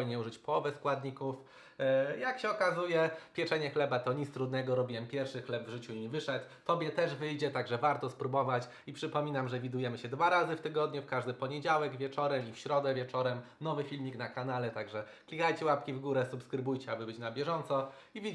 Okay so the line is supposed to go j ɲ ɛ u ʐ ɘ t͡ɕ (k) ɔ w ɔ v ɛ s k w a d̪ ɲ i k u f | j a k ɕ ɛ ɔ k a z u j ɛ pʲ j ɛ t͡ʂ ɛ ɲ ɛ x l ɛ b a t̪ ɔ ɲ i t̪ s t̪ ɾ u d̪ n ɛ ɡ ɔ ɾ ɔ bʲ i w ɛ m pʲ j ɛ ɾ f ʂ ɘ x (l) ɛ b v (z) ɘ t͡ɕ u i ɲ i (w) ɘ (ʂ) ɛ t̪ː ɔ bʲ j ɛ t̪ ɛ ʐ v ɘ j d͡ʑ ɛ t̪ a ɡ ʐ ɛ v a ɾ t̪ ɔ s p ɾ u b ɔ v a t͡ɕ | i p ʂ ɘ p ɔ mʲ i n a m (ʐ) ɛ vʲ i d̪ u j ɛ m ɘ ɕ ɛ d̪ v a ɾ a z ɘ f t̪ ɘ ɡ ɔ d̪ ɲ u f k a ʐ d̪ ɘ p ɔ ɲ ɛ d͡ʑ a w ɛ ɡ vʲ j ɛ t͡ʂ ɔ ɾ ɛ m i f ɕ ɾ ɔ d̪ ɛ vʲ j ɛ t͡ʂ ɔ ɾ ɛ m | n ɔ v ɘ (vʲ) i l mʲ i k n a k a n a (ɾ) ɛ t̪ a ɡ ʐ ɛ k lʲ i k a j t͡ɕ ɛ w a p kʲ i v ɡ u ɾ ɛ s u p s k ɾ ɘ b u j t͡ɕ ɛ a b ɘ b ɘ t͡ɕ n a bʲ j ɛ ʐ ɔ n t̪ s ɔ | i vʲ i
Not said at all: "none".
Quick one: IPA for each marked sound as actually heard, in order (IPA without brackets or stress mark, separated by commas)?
p, l, ʐ, v, ʂ, ʐ, fʲ, l